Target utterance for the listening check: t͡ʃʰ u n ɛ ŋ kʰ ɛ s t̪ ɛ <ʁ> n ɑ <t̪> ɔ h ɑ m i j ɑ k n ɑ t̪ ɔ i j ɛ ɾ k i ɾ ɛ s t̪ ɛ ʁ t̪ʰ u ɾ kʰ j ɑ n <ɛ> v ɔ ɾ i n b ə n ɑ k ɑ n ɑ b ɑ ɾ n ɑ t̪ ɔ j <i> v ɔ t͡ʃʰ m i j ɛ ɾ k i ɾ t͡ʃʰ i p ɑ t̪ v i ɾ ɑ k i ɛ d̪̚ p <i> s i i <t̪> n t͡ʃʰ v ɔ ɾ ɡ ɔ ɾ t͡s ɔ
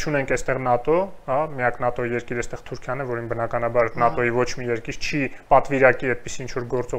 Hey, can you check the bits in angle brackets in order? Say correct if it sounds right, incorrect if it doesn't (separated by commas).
correct, correct, correct, correct, correct, incorrect